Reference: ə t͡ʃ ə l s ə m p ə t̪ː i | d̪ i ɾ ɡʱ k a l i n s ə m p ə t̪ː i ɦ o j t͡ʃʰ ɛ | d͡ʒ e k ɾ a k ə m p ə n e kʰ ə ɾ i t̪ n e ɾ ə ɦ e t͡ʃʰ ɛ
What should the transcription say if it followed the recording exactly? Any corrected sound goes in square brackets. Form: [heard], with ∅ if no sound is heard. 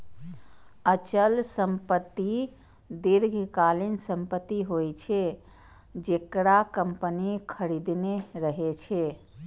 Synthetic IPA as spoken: ə t͡ʃ ə l s ə m p ə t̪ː i | d̪ i ɾ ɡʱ k a l i n s ə m p ə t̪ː i ɦ o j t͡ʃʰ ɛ | d͡ʒ e k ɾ a k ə m p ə n [i] kʰ ə ɾ i [d̪] n e ɾ ə ɦ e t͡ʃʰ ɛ